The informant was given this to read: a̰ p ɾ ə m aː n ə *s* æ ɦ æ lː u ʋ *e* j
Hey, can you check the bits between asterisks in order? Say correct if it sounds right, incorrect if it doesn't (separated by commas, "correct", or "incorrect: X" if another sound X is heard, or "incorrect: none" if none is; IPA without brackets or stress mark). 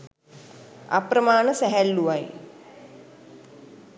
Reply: correct, incorrect: a